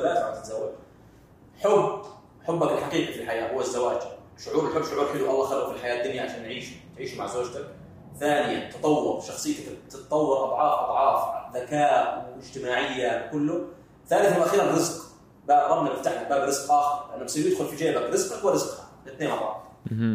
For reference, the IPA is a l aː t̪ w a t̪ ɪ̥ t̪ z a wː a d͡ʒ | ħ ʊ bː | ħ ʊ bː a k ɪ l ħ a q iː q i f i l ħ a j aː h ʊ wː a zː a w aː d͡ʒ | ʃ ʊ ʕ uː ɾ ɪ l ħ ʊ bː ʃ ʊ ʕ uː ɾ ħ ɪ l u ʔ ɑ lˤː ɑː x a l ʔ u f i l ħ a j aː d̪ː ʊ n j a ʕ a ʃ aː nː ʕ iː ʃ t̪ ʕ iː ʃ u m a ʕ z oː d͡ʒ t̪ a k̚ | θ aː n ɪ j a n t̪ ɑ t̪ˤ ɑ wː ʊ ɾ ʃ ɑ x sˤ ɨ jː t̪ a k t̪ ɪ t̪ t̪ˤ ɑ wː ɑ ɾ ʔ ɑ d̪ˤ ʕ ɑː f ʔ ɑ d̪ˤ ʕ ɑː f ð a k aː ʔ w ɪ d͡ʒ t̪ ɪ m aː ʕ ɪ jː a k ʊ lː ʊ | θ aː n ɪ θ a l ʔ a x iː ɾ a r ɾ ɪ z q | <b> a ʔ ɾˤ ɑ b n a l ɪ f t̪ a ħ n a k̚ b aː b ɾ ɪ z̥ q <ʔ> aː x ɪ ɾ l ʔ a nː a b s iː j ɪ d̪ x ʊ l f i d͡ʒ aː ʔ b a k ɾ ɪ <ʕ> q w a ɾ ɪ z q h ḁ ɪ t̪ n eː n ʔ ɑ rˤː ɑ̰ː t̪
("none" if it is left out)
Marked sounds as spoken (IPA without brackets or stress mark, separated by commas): b, ʔ, z